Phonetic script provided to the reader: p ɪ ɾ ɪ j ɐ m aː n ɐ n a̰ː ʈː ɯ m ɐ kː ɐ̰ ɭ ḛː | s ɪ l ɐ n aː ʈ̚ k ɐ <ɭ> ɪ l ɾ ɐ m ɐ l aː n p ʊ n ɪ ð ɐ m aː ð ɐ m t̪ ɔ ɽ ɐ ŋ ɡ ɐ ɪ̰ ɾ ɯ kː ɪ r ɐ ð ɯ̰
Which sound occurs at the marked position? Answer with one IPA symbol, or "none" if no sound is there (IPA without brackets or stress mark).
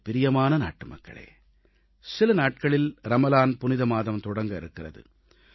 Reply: ɭ